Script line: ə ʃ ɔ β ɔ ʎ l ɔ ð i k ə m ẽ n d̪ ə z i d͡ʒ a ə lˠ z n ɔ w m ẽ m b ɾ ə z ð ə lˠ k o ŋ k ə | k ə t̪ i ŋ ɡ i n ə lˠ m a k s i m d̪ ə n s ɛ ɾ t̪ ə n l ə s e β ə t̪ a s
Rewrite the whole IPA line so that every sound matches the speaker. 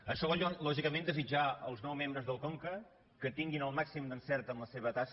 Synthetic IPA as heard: ə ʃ ɔ β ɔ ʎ l ɔ ʒ i k ə m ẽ n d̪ ə z i d͡ʒ a ə lˠ z n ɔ w m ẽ m b ɾ ə z ð ə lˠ k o ŋ k ə | k ə t̪ i ŋ ɡ i n ə lˠ m a k s i m d̪ ə n s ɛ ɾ t̪ ə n l ə s e β ə t̪ a s